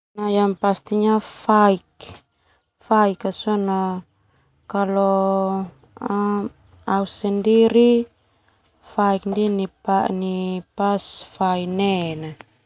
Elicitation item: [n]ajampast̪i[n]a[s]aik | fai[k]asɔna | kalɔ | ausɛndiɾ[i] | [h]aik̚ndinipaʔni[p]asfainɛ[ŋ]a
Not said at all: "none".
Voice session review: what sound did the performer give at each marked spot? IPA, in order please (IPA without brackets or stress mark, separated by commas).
n, ɲ, f, k, i, f, p, n